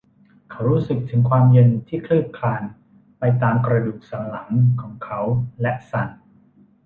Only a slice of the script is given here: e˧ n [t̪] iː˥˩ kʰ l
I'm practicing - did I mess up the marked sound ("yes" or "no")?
yes